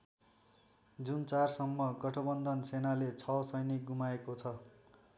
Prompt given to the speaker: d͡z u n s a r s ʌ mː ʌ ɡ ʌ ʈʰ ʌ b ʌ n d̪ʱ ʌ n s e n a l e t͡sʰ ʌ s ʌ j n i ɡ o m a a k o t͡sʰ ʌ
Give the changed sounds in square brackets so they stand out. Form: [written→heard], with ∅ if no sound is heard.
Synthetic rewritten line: d͡z u n [s→t͡s] a r s ʌ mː ʌ ɡ ʌ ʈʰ ʌ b ʌ n d̪ʱ ʌ n s e n a l e t͡sʰ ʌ s ʌ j n i ɡ [o→u] m a [a→e] k o t͡sʰ ʌ